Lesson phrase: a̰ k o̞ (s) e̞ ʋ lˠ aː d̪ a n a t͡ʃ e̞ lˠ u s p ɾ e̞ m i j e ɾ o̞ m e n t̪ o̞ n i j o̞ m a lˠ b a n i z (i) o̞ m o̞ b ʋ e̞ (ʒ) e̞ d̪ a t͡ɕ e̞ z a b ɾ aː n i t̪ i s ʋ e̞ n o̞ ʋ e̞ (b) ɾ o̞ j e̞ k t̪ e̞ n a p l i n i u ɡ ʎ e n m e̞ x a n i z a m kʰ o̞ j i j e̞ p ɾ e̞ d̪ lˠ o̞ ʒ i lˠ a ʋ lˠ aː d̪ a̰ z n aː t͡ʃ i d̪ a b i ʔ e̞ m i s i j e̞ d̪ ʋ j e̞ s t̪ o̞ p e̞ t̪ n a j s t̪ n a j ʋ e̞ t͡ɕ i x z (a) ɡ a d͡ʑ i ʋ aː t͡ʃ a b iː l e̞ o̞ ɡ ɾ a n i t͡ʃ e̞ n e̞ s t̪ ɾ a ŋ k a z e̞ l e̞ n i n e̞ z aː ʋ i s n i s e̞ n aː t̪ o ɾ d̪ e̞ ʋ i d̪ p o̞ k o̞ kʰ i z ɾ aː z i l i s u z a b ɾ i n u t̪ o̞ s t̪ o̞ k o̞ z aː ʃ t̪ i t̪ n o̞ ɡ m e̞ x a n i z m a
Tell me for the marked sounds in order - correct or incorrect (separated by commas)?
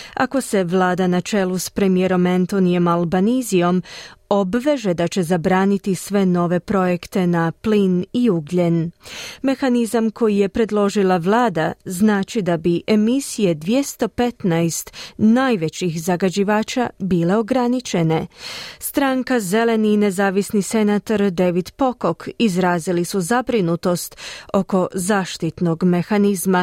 correct, correct, correct, incorrect, correct